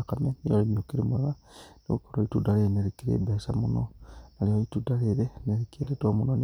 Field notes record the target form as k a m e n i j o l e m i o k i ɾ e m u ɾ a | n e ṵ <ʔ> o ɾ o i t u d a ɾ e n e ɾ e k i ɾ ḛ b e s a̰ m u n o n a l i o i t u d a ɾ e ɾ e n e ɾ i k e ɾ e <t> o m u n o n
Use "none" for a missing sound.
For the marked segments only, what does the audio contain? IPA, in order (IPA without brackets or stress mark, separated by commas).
k, t